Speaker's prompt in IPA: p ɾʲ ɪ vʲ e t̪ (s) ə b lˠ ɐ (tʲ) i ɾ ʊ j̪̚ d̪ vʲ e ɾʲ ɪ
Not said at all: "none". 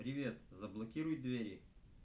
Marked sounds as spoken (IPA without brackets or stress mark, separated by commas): z, kʲ